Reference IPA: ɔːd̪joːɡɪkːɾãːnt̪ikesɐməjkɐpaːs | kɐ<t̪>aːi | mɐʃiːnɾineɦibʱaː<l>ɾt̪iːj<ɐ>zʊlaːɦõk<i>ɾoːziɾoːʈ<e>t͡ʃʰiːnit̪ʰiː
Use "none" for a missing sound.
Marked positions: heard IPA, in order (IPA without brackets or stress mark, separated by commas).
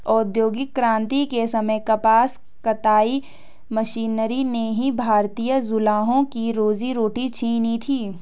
t̪, none, ə, i, i